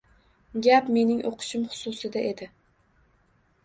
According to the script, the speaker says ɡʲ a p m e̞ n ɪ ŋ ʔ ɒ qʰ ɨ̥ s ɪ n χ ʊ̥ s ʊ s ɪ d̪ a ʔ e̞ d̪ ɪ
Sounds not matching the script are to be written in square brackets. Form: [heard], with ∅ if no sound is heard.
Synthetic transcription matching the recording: ɡʲ a p m e̞ n ɪ ŋ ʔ [o] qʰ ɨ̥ [ʃ] ɪ [m] χ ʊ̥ s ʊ s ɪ d̪ a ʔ e̞ d̪ ɪ